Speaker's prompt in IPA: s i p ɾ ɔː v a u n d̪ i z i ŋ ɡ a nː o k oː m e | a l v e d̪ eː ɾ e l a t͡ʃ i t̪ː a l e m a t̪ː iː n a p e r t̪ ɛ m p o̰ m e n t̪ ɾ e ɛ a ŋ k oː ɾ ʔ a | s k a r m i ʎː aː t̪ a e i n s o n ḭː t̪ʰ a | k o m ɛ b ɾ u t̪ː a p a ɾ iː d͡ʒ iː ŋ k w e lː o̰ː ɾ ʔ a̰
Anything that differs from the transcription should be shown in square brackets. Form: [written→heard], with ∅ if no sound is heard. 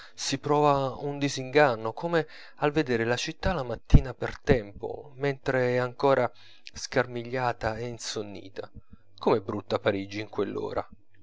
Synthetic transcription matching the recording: s i p ɾ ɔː v a u n d̪ i z i ŋ ɡ a nː o k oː m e | a l v e d̪ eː ɾ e l a t͡ʃ i t̪ː a l [e→a] m a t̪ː iː n a p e r t̪ ɛ m p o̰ m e n t̪ ɾ e ɛ a ŋ k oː ɾ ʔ a | s k a r m i ʎː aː t̪ a e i n s o [n→nː] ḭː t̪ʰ a | k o m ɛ b ɾ u t̪ː a p a ɾ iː d͡ʒ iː ŋ k w e lː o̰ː ɾ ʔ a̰